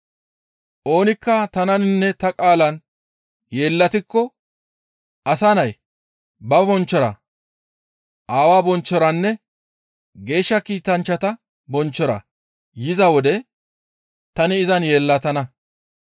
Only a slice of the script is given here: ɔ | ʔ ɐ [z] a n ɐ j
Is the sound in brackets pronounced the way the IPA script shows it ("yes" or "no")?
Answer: no